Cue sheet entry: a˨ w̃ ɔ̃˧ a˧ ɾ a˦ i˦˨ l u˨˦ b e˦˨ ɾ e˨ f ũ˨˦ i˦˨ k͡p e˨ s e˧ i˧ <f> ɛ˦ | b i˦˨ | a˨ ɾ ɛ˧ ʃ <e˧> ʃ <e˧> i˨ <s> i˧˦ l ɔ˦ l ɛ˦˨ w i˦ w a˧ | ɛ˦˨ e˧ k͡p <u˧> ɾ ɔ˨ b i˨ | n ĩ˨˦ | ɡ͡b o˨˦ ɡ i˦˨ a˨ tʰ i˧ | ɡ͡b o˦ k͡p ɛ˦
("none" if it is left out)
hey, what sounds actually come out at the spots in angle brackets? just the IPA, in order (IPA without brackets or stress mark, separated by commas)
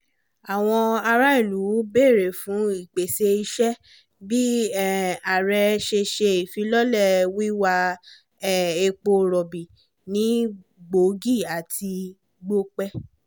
ʃ, e˧, e˧, f, o˧